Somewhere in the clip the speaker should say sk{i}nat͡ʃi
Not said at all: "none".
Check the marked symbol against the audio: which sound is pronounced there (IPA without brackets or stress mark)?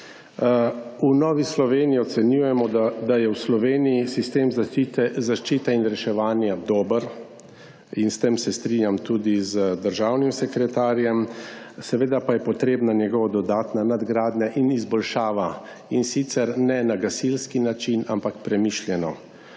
i